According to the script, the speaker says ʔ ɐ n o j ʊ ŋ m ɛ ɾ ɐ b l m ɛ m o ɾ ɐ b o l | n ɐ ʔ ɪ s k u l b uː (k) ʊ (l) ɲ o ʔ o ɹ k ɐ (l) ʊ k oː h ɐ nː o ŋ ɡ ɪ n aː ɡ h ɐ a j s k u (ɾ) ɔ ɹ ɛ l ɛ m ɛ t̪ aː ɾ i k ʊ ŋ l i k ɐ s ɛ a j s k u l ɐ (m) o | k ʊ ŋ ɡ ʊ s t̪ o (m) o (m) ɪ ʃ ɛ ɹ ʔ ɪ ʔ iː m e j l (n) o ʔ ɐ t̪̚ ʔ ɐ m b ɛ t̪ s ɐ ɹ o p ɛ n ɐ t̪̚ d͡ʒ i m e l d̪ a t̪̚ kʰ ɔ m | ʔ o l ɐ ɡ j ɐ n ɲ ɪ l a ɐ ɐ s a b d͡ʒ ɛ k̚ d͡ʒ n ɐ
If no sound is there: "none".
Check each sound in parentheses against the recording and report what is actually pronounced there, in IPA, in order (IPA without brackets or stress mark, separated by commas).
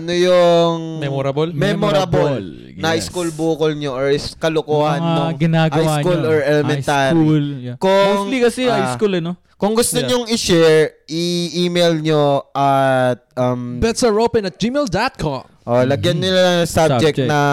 k, l, l, l, n, ɲ, ŋ, ɲ